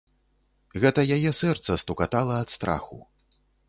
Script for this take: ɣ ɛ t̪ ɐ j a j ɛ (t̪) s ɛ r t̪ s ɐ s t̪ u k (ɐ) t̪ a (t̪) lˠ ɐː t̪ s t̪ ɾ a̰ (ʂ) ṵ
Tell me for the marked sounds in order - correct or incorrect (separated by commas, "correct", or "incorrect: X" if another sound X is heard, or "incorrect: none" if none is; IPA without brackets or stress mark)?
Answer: incorrect: none, incorrect: a, incorrect: none, incorrect: x